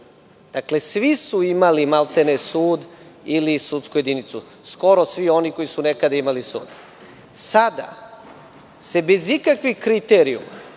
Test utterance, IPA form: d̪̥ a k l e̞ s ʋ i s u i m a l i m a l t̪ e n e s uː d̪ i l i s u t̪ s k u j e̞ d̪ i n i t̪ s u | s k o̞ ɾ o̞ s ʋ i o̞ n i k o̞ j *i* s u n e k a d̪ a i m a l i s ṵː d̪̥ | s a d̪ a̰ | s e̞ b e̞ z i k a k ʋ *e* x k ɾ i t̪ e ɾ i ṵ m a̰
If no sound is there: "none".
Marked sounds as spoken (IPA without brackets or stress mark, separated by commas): i, i